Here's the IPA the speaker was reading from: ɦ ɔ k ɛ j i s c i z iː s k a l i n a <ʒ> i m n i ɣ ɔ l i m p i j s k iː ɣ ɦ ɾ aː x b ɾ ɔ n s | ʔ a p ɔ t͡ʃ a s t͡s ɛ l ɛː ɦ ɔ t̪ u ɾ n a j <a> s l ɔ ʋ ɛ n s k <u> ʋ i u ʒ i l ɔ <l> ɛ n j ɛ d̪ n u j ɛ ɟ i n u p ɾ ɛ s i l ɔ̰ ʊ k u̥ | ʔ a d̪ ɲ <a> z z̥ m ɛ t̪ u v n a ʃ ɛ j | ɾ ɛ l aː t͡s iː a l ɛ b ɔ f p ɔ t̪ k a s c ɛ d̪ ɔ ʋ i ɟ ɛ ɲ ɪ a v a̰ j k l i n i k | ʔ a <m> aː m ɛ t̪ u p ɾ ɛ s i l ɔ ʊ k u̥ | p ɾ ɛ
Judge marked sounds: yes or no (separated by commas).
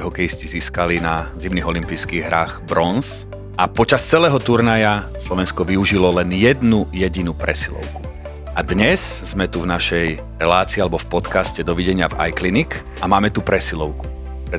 no, yes, no, yes, no, yes